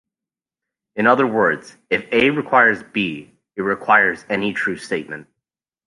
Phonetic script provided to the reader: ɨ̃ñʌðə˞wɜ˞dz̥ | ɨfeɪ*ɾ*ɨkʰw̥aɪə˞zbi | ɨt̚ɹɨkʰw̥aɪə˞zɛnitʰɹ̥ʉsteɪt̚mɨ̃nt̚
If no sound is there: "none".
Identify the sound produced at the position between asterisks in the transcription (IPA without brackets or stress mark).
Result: ɹ